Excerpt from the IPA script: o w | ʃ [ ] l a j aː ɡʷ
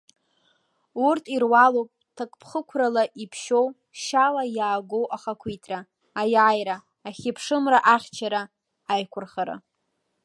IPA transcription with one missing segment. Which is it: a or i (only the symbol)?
a